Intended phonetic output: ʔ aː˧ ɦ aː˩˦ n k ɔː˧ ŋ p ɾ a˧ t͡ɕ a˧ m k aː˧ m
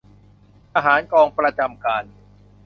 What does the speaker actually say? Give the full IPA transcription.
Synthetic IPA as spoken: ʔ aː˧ ɦ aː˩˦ n k ɔː˧ ŋ p ɾ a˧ t͡ɕ a˧ m k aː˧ n